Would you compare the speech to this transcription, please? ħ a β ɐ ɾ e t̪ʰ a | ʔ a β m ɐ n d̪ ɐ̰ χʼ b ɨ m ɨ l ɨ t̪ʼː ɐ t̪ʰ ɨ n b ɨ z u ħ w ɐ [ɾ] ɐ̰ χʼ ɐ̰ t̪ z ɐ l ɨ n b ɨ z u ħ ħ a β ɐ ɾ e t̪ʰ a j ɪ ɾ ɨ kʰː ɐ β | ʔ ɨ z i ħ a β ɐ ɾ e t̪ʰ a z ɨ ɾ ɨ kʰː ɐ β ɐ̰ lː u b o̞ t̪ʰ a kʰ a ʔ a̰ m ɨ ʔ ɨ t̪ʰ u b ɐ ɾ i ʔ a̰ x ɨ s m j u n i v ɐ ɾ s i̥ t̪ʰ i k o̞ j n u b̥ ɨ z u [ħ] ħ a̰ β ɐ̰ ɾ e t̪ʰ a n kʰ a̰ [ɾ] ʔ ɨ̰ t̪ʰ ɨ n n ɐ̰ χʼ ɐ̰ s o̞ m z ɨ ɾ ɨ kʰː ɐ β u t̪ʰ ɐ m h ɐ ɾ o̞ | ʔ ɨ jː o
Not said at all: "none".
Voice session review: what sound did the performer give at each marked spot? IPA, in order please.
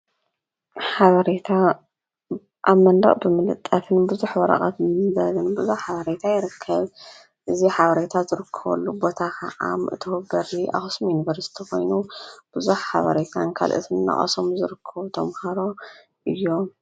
ɾ, ħ, l

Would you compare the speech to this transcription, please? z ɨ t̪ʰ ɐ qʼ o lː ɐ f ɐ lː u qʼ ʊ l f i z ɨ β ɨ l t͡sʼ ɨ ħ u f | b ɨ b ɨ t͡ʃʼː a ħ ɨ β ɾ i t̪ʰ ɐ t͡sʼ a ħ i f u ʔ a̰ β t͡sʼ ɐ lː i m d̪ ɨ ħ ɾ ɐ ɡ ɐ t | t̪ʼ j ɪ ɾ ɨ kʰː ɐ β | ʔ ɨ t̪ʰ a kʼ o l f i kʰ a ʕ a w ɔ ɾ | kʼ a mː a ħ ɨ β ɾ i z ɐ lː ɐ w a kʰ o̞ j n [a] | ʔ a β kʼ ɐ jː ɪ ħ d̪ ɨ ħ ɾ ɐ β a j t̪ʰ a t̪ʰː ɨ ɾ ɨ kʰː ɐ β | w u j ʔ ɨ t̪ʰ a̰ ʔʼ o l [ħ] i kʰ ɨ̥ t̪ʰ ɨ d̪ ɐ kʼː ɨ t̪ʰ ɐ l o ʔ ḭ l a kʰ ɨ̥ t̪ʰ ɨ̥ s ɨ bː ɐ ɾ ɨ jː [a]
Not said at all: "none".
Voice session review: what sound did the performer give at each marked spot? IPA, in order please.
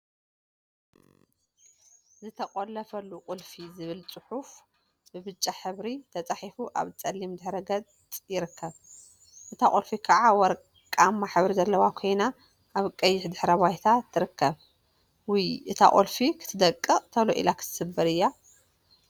a, f, a

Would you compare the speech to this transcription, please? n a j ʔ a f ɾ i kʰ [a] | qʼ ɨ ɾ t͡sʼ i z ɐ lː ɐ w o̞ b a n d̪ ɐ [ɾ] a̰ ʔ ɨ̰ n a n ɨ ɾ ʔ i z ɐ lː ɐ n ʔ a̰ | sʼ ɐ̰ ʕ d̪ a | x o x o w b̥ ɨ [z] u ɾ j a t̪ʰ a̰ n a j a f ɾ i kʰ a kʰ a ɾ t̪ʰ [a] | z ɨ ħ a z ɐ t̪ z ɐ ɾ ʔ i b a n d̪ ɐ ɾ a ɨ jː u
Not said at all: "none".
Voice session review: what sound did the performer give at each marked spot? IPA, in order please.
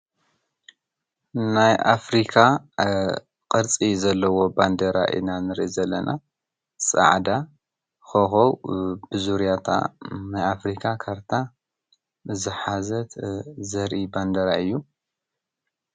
a, ɾ, z, a

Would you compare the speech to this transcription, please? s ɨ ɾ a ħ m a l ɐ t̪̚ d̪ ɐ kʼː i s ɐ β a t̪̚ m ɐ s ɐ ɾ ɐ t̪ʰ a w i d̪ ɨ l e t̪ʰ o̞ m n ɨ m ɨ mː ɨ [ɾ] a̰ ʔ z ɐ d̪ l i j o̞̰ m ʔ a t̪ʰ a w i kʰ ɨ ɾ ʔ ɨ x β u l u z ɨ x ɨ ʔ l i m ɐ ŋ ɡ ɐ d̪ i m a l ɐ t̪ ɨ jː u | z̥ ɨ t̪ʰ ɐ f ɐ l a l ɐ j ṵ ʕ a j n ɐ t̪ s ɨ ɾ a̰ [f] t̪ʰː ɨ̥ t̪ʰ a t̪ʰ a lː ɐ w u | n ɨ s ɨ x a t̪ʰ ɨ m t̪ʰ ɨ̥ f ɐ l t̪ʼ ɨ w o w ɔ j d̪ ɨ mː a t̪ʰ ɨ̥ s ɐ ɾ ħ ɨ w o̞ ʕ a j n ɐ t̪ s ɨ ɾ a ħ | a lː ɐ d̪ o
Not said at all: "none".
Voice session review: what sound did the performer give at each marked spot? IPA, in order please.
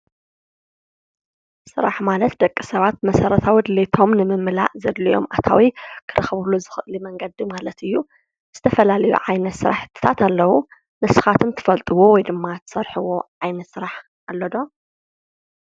l, ħ

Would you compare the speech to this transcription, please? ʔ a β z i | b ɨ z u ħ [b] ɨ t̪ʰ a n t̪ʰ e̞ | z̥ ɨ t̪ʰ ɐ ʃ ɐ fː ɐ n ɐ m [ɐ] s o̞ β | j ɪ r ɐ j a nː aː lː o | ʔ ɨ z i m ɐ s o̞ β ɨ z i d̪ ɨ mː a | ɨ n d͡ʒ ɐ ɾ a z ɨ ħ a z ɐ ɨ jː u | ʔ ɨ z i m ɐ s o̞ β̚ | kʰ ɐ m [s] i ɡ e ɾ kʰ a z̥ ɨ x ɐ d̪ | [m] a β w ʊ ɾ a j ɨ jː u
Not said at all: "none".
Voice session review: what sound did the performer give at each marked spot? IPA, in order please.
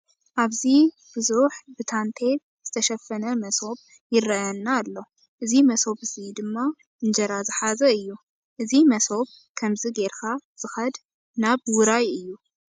b, ɐ, z, n

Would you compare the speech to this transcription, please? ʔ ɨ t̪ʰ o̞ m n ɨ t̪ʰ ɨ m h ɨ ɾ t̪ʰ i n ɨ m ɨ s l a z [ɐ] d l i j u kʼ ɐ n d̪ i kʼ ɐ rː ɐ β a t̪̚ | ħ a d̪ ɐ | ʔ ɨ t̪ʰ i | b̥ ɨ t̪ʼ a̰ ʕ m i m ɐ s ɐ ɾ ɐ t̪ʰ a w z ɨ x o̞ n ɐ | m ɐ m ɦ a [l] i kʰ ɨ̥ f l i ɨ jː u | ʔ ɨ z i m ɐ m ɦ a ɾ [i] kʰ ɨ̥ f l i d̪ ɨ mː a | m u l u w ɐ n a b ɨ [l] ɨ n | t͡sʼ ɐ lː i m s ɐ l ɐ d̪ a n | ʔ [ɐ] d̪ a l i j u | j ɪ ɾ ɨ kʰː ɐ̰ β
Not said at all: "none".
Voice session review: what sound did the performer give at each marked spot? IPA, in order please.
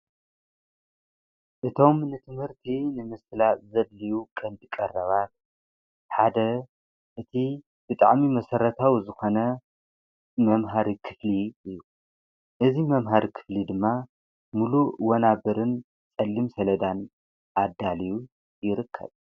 ɐ, ɾ, i, ɾ, a

